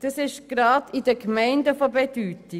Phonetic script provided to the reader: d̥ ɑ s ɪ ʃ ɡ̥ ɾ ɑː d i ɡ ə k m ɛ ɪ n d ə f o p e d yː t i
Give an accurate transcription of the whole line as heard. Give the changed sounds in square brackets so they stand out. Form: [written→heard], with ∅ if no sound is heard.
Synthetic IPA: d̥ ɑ s ɪ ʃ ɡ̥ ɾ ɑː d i [ɡ→d] ə k m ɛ ɪ n d ə f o [p→b] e d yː t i